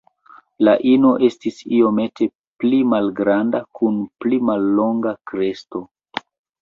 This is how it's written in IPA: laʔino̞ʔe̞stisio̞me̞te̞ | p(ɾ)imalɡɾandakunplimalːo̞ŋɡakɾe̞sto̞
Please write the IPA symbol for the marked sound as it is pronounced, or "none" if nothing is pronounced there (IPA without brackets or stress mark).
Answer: l